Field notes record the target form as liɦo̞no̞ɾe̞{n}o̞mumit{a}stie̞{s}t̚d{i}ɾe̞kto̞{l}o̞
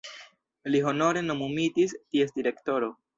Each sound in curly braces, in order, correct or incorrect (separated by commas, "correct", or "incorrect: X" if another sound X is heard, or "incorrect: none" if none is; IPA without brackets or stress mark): correct, incorrect: i, correct, correct, incorrect: ɾ